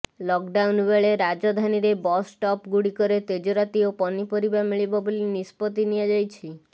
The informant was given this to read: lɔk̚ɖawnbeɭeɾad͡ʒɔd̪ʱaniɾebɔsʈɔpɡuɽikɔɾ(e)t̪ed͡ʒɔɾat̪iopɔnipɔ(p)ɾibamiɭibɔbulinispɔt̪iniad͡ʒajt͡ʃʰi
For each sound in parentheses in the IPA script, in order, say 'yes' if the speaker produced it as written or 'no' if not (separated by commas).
yes, no